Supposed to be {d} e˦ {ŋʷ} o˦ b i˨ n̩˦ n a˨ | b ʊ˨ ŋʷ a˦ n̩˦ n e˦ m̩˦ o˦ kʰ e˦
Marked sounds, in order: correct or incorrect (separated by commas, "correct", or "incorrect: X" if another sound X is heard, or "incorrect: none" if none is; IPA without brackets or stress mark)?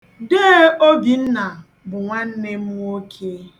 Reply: correct, incorrect: none